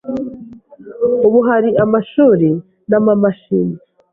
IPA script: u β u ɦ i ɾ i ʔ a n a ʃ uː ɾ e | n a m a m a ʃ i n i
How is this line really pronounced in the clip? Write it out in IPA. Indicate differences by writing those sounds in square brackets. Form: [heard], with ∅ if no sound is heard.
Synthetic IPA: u β u ɦ [a] ɾ i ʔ a [m] a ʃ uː ɾ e | n a m a m a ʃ i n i